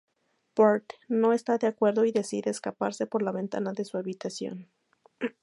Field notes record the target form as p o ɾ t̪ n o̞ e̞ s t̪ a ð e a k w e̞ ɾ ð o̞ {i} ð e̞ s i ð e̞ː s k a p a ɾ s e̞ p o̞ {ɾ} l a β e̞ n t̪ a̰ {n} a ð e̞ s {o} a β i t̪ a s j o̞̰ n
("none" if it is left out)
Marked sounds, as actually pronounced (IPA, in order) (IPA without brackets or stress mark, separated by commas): i, ɾ, n, u